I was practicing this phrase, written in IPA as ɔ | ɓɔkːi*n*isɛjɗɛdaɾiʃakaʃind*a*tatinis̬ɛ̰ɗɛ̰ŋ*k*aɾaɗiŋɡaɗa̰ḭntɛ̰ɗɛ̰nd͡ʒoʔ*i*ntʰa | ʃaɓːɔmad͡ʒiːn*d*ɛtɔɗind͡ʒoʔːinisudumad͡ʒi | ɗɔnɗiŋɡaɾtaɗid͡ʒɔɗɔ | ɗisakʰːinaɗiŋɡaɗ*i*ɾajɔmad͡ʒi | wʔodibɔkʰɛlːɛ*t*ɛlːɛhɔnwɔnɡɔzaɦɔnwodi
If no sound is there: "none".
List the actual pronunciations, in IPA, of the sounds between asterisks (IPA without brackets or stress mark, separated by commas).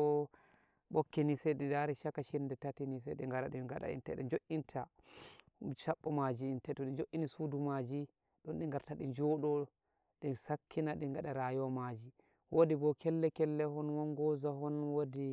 n, ɛ, ɡ, i, t, a, k